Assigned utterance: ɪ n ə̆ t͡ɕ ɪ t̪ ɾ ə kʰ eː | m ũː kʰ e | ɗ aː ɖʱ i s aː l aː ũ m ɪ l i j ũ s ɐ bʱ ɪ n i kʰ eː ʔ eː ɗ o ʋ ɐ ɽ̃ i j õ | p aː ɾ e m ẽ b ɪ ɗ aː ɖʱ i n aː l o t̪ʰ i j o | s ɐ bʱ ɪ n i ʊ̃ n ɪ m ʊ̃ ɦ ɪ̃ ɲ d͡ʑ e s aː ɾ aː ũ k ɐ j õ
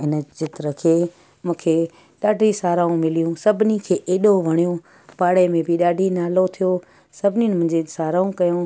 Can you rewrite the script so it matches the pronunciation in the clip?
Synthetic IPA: ɪ n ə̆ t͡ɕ ɪ t̪ ɾ ə kʰ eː | m ũː kʰ e | ɗ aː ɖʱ i s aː ɾ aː ũ m ɪ l i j ũ s ɐ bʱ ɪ n i kʰ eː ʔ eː ɗ o ʋ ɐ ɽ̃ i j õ | p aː ɽ e m ẽ b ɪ ɗ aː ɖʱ i n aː l o t̪ʰ i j o | s ɐ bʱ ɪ n i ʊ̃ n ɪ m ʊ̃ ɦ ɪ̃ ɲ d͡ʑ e s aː ɾ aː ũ k ɐ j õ